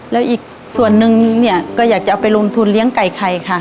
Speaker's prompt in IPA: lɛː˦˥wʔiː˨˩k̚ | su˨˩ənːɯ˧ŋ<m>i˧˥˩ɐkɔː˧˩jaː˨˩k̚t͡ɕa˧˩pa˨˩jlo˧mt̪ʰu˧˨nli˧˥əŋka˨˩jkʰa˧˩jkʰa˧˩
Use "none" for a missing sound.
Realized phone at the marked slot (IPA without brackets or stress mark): n